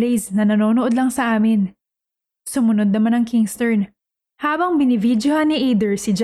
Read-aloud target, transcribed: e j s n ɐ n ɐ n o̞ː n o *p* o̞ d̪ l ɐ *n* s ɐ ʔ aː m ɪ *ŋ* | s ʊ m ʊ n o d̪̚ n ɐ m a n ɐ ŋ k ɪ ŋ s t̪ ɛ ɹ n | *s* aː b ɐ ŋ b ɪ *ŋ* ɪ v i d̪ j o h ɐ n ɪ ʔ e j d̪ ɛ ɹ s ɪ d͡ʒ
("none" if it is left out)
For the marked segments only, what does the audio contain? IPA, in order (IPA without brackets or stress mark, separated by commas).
ʔ, ŋ, n, h, n